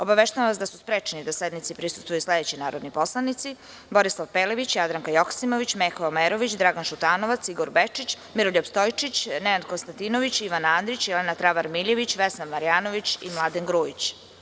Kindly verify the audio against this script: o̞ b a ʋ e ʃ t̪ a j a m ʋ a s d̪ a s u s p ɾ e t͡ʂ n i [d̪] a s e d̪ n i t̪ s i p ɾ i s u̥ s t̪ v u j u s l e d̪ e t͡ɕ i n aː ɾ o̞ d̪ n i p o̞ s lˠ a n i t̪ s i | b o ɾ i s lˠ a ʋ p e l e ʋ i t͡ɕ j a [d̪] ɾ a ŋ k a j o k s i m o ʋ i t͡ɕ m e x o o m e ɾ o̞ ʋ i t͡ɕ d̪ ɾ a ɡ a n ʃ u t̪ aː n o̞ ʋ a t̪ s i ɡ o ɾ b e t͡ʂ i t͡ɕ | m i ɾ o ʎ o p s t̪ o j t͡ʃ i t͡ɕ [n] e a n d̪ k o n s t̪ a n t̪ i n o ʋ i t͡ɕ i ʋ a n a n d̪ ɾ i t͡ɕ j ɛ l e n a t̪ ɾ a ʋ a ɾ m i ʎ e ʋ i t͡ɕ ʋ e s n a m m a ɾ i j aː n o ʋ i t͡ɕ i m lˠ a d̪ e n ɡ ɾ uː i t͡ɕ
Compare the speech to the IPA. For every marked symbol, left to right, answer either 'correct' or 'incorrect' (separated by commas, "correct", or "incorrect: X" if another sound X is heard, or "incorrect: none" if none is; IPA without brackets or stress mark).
correct, correct, correct